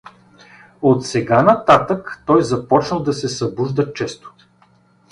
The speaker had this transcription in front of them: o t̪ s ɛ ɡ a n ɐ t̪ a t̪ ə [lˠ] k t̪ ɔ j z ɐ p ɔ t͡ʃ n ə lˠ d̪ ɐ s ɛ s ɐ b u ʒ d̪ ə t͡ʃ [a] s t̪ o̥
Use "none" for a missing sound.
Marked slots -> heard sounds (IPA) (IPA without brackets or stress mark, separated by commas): none, ɛ